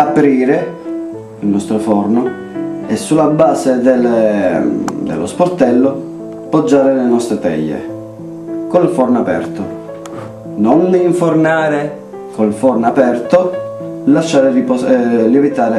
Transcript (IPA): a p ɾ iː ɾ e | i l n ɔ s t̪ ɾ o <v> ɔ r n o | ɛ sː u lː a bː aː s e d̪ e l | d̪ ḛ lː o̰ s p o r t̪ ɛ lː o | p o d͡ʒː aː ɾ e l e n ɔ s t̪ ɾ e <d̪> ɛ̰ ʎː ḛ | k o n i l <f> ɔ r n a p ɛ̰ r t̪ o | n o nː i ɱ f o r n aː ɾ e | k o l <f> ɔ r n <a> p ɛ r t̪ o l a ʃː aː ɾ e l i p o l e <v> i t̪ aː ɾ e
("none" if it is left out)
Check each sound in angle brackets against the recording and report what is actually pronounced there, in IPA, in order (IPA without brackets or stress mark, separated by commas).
f, t̪, f, f, a, v